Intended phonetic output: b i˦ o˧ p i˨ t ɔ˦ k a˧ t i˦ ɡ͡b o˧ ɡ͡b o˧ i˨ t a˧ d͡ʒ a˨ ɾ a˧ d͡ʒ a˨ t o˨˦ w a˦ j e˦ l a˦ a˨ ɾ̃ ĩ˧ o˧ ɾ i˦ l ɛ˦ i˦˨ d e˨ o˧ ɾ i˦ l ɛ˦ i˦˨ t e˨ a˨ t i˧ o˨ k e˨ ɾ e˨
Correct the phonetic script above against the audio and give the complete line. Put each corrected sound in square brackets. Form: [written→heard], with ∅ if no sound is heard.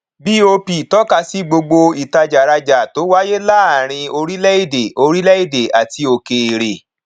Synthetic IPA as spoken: b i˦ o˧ p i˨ t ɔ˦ k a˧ [t→s] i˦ ɡ͡b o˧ ɡ͡b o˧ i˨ t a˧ d͡ʒ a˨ ɾ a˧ d͡ʒ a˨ t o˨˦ w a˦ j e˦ l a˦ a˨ ɾ̃ ĩ˧ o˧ ɾ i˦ l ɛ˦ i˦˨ d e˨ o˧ ɾ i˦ l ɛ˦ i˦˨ [t→d] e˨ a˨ t i˧ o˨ k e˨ ɾ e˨